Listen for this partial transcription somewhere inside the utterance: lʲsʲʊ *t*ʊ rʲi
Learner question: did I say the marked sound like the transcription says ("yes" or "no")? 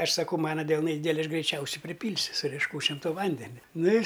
no